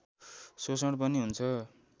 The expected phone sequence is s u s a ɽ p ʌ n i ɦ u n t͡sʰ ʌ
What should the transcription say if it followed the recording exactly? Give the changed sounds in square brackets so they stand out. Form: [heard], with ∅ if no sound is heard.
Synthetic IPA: s [o] s [ʌ] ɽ p ʌ n i ɦ u n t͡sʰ ʌ